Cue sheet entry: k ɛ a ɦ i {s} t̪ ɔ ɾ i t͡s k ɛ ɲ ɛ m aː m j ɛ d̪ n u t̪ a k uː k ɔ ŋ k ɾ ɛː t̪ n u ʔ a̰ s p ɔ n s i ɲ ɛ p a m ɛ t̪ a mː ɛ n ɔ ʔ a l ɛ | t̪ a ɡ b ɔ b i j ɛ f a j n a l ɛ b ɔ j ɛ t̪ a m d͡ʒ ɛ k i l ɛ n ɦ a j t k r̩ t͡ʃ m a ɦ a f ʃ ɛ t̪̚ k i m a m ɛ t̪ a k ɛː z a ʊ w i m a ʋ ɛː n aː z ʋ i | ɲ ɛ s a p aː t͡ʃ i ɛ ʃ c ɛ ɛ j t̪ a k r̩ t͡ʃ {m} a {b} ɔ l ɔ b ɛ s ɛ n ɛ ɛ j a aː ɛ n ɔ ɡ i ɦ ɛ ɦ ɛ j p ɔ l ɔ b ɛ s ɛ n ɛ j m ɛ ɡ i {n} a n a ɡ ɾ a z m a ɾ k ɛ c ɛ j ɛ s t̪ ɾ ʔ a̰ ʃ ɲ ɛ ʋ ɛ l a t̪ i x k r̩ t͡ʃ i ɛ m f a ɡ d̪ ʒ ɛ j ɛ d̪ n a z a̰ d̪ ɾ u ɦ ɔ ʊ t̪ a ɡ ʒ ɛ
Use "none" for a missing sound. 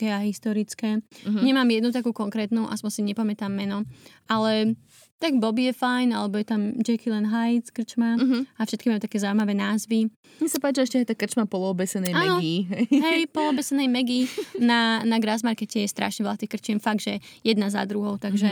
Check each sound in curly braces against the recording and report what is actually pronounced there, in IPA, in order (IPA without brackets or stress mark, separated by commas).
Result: s, m, p, n